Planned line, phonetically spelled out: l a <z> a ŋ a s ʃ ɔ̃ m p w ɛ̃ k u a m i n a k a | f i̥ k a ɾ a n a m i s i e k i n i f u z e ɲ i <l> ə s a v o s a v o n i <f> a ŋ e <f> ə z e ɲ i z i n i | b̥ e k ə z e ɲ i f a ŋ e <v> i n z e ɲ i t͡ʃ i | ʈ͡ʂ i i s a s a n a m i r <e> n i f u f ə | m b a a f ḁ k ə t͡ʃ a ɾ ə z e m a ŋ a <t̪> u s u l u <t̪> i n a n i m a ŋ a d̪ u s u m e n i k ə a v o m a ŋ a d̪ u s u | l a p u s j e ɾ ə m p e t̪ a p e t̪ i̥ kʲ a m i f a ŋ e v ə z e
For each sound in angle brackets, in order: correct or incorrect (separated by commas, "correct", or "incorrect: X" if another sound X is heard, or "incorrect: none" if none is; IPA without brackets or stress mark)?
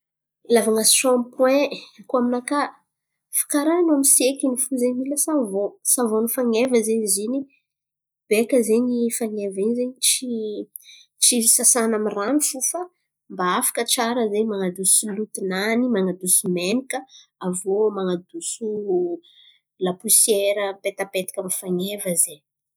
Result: incorrect: v, correct, correct, incorrect: v, correct, incorrect: a, incorrect: d̪, correct